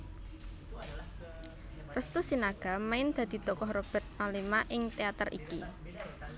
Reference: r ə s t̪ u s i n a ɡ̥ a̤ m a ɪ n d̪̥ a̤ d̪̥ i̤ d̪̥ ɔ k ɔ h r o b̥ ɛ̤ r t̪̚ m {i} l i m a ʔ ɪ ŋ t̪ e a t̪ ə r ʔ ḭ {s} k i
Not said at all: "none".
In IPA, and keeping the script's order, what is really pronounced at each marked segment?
a, none

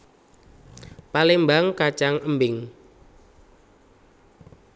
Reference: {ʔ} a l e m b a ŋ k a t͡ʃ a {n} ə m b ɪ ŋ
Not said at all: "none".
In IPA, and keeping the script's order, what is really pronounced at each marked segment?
p, ŋ

